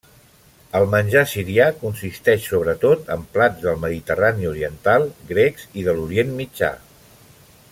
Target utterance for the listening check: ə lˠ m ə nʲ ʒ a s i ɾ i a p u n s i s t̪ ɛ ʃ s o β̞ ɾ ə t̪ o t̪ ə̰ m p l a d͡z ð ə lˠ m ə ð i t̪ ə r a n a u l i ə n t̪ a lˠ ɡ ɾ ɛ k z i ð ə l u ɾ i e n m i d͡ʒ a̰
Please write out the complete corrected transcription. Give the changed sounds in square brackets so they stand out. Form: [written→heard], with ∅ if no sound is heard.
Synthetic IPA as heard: ə lˠ m ə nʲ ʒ a s i ɾ i a [p→k] u n s i s t̪ ɛ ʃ s o β̞ ɾ ə t̪ o t̪ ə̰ m p l a d͡z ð ə lˠ m ə ð i t̪ ə r a n [a→i] u [l→ɾ] i ə n t̪ a lˠ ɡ ɾ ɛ k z i ð ə l u ɾ i e n m i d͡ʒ a̰